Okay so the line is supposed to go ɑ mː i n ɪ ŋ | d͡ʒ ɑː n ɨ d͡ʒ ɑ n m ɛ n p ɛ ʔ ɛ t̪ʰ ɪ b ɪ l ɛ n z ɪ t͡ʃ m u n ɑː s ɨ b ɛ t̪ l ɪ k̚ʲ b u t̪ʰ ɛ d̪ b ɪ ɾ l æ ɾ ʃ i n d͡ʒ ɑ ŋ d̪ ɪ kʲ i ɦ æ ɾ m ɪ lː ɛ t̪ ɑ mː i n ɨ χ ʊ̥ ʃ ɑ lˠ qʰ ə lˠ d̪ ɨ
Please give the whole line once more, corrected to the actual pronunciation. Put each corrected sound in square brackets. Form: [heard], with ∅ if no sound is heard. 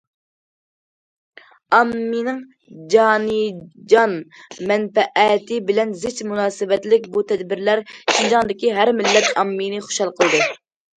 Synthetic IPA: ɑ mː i n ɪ ŋ | d͡ʒ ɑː n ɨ d͡ʒ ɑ n m ɛ n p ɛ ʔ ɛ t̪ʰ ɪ b ɪ l ɛ n z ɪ t͡ʃ m u n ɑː s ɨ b ɛ t̪ l ɪ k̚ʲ b u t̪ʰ ɛ d̪ b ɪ ɾ l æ ɾ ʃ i n d͡ʒ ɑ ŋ d̪ ɪ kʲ i ɦ æ ɾ m ɪ lː ɛ t̪ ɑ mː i n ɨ χ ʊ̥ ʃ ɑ lˠ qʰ ə lˠ d̪ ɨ